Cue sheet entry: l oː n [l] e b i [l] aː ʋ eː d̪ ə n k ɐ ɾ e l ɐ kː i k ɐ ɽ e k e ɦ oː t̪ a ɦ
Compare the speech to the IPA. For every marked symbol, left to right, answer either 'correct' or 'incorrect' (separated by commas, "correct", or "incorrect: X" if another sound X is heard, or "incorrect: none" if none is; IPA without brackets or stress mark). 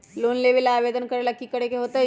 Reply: correct, correct